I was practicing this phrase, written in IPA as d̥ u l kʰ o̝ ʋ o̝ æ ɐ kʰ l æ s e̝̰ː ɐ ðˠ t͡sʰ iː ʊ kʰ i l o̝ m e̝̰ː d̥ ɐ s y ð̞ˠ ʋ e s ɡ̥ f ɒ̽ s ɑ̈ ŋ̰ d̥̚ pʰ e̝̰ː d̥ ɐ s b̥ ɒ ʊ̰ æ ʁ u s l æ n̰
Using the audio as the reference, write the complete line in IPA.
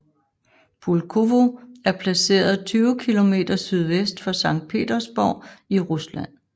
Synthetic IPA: b̥ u l kʰ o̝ ʋ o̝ æ ɐ pʰ l æ s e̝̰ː ɐ ðˠ t͡sʰ yː ʊ kʰ i l o̝ m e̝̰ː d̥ ɐ s y ð̞ˠ ʋ e s d̥ f ɒ̽ s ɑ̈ ŋ̰ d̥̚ pʰ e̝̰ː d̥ ɐ s b̥ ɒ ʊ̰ i ʁ u s l æ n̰

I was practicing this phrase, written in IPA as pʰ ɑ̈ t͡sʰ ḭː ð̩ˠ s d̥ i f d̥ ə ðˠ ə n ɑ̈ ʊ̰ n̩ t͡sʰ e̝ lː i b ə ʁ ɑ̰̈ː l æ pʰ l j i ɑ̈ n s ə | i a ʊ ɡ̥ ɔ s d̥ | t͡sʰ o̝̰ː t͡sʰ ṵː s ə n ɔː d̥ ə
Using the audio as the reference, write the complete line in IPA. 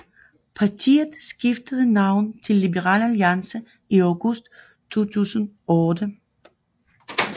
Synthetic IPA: pʰ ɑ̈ t͡sʰ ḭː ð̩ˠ s ɡ̥ i f d̥ ə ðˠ ə n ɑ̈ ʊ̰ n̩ t͡sʰ e̝ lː i b ə ʁ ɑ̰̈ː l æ l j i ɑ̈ n s ə | i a ʊ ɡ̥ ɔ s d̥ | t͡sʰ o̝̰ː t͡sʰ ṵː s ə n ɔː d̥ ə

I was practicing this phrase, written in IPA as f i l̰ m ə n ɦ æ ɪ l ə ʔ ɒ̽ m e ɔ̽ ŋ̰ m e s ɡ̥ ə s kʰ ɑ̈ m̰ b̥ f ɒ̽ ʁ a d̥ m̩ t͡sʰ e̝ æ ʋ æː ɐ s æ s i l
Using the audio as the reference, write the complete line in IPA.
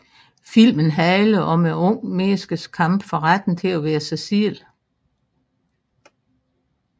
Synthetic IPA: f i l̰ m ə n ɦ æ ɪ l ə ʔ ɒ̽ m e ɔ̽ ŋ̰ m e s ɡ̥ ə s kʰ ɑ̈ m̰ b̥ f ɒ̽ ʁ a d̥ n̩ t͡sʰ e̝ æ ʋ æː ɐ s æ s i l

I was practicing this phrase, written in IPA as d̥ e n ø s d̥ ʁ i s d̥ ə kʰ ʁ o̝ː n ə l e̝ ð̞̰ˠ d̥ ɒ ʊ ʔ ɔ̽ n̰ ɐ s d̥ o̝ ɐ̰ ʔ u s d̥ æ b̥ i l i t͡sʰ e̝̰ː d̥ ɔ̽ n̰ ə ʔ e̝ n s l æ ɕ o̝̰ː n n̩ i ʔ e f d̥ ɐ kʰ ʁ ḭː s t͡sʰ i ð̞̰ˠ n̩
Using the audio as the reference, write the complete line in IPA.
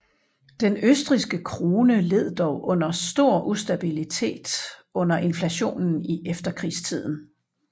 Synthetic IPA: d̥ e n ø s d̥ ʁ i s ɡ̥ ə kʰ ʁ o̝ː n ə l e̝ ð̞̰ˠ d̥ ɒ ʊ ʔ ɔ̽ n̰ ɐ s d̥ o̝ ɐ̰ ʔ u s d̥ æ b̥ i l i t͡sʰ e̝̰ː d̥ ɔ̽ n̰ ɐ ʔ e̝ n f l æ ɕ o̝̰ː n n̩ i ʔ e f d̥ ɐ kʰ ʁ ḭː s t͡sʰ i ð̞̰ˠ n̩

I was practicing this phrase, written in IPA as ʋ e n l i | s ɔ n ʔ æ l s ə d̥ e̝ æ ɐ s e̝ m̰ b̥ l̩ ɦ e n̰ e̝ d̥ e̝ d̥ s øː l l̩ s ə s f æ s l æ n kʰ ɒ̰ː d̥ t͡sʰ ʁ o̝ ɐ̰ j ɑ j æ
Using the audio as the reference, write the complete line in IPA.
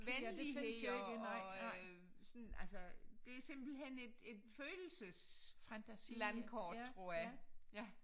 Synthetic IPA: ʋ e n l i | s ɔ n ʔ æ l s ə d̥ e̝ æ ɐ s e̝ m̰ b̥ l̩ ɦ e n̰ e̝ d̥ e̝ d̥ f øː l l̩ s ə s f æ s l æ n kʰ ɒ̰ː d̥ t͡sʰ ʁ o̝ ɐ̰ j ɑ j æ

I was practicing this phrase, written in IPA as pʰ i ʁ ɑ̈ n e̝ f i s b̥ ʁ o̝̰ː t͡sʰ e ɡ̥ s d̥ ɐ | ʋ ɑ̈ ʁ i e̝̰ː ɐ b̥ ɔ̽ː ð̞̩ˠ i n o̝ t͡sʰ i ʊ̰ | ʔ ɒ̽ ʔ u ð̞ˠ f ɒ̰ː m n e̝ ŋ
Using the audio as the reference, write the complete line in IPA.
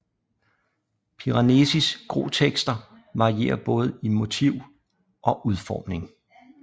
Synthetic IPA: pʰ i ʁ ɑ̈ n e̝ s i s ɡ̥ ʁ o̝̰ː t͡sʰ e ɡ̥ s d̥ ɐ | ʋ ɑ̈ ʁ i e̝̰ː ɐ b̥ ɔ̽ː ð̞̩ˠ i m o̝ t͡sʰ i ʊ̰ | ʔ ɒ̽ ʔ u ð̞ˠ f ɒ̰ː m n e̝ ŋ

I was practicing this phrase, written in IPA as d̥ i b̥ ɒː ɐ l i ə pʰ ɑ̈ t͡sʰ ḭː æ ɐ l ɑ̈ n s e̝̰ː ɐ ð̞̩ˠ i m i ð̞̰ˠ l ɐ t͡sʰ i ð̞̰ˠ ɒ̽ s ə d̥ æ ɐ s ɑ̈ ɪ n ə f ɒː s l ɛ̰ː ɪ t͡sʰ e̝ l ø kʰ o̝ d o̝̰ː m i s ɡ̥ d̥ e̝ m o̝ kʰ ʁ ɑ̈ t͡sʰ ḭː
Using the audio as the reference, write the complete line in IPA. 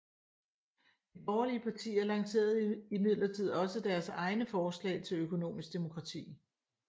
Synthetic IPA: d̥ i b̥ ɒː ɐ l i ə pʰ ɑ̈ t͡sʰ ḭː æ ɐ l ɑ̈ ŋ s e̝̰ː ɐ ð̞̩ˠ i m i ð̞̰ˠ l ɐ t͡sʰ i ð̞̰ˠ ɒ̽ s ə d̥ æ ɐ s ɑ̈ ɪ n ə f ɒː s l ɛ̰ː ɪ t͡sʰ e̝ l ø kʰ o̝ n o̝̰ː m i s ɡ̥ d̥ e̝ m o̝ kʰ ʁ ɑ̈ t͡sʰ ḭː

